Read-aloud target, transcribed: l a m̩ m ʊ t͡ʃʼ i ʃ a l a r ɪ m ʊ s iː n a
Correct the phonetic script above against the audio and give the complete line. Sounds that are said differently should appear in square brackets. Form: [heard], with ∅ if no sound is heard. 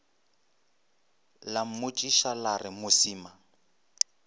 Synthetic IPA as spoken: l a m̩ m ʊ t͡ʃʼ i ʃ a l a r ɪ m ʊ s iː [m] a